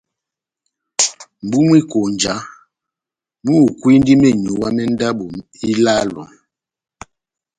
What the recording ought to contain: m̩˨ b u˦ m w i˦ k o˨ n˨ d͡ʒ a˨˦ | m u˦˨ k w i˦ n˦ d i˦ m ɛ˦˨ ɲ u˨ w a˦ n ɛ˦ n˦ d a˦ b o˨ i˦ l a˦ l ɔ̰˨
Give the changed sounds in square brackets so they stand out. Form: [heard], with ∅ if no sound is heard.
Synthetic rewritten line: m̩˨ b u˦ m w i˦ k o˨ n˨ d͡ʒ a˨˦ | m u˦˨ k w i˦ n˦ d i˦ m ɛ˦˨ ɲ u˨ w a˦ [m] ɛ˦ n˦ d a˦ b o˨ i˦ l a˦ l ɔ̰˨